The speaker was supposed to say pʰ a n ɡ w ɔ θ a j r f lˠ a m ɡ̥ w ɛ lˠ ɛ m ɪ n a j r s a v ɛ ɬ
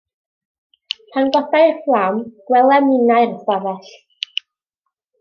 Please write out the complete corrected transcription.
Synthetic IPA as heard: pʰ a n ɡ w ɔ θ a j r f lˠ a m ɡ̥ w ɛ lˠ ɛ m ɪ n a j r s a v ɛ ɬ

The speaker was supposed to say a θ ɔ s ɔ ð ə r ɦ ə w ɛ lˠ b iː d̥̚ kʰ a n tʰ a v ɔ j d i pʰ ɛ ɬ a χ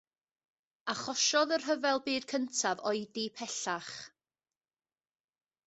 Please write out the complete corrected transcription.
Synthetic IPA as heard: a χ ɔ ʃ ɔ ð ə r ɦ ə v ɛ lˠ b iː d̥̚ kʰ ə n tʰ a v ɔ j d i pʰ ɛ ɬ a χ

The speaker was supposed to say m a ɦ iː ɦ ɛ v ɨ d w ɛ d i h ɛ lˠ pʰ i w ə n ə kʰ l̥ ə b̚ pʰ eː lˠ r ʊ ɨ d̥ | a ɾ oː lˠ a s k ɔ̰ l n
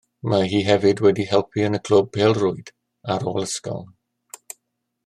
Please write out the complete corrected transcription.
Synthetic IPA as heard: m a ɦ iː ɦ ɛ v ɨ d w ɛ d i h ɛ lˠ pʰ i ə n ə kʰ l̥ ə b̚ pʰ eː lˠ r ʊ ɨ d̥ | a ɾ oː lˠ ə s k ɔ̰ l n

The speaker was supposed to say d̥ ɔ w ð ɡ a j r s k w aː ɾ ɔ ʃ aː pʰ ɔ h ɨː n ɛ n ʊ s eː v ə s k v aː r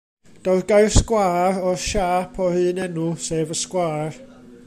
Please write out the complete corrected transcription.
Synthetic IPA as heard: d̥ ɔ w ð ɡ a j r s k w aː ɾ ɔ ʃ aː pʰ ɔ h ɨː n ɛ n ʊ s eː v ə s k w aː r

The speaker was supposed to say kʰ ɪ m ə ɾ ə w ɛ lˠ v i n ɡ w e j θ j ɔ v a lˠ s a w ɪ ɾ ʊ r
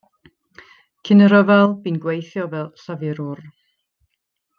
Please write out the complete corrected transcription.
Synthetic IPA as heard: kʰ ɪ n ə ɾ ə v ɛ lˠ b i n ɡ w e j θ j ɔ v ɛ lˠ s a v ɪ ɾ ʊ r

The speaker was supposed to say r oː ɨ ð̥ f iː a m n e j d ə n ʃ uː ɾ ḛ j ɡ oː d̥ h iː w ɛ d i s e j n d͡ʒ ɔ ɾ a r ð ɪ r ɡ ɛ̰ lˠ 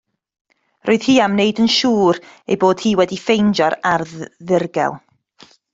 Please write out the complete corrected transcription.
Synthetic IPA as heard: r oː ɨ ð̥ h iː a m n e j d ə n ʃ uː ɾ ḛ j b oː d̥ h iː w ɛ d i f e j n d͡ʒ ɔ ɾ a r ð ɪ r ɡ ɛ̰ lˠ

